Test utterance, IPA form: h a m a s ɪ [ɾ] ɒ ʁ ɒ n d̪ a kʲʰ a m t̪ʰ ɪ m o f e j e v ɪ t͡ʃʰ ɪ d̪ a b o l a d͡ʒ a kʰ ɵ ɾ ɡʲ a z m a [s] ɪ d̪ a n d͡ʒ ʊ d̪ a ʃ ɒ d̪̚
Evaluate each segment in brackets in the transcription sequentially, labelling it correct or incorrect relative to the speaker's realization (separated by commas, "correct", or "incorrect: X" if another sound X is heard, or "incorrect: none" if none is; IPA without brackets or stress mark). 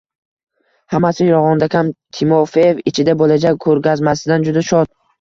correct, correct